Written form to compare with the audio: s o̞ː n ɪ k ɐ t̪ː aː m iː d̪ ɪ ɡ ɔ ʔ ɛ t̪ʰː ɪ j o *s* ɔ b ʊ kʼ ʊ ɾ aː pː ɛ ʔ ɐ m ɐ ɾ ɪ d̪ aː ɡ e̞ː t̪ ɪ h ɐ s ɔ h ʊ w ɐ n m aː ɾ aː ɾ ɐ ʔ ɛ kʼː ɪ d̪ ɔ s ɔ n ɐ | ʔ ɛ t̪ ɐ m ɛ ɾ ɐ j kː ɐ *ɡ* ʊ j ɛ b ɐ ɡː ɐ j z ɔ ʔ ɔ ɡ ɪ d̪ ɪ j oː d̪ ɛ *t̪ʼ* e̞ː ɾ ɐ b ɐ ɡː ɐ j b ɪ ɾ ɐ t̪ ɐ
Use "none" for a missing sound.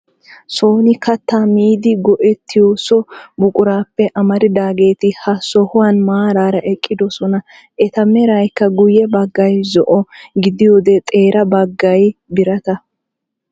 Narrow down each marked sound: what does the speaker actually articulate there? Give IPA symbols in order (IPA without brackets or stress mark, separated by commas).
s, ɡ, t̪ʼ